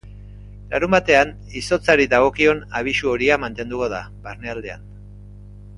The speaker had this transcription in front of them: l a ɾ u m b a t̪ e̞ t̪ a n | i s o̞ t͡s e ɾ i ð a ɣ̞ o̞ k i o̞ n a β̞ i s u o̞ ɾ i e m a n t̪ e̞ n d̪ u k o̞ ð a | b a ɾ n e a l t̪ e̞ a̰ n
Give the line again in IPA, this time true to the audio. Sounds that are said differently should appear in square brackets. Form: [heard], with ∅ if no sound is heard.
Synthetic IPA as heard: l a ɾ u m b a t̪ e̞ [∅] a n | i s o̞ t͡s [a] ɾ i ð a ɣ̞ o̞ k i o̞ n a β̞ i s u o̞ ɾ i [a] m a n t̪ e̞ n d̪ u k o̞ ð a | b a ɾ n e a l [d̪] e̞ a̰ n